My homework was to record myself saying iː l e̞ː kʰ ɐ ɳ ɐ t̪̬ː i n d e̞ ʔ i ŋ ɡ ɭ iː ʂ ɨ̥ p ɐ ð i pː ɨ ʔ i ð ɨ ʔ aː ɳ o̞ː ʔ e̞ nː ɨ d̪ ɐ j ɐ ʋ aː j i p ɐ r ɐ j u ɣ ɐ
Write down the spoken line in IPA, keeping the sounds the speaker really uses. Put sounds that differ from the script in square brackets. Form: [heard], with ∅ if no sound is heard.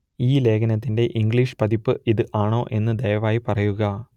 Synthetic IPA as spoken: iː l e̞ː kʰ ɐ [n] ɐ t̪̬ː i n d e̞ ʔ i ŋ ɡ ɭ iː ʂ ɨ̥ p ɐ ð i pː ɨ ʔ i ð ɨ ʔ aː ɳ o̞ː ʔ e̞ nː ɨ d̪ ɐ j ɐ ʋ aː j i p ɐ r ɐ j u ɣ ɐ